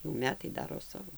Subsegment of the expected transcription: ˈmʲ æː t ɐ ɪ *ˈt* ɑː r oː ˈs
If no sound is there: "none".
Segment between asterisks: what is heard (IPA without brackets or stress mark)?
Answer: d